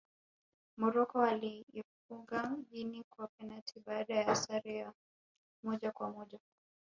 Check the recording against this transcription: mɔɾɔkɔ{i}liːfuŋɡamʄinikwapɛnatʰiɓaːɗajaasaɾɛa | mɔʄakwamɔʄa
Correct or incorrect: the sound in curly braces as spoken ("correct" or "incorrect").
incorrect